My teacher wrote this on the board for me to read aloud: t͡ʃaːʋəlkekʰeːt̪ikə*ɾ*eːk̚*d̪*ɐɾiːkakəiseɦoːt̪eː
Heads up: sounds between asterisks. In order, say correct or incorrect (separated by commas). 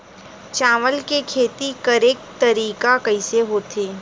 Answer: correct, incorrect